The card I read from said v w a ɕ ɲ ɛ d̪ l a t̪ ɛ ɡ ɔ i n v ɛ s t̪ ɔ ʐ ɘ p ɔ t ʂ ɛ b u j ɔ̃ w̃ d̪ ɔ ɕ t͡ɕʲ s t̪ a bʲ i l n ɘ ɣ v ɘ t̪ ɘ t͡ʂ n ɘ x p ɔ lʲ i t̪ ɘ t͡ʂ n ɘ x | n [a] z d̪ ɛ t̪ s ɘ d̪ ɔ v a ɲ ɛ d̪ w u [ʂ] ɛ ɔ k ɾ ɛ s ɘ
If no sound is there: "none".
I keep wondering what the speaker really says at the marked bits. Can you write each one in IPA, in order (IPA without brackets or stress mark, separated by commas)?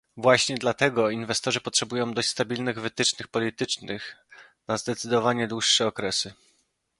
a, ʂː